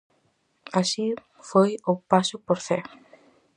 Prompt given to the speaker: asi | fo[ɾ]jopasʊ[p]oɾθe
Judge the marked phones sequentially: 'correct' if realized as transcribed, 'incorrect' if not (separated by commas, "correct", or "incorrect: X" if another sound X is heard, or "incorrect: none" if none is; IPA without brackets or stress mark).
incorrect: none, correct